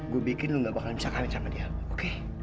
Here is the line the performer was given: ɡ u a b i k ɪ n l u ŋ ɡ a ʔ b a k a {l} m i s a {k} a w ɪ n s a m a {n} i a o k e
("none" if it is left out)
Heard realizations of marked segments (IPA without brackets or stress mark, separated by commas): l, k, d